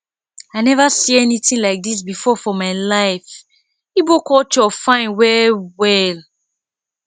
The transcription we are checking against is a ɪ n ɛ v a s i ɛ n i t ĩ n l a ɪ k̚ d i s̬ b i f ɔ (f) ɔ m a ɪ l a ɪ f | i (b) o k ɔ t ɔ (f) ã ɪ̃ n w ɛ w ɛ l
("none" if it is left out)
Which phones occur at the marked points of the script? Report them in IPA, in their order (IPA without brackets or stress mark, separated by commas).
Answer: f, b, f